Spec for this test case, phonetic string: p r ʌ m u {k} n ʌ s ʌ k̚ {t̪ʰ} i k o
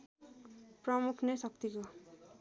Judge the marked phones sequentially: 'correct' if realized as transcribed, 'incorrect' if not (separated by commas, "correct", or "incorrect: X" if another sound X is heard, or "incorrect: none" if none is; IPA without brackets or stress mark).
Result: incorrect: kʰ, incorrect: t̪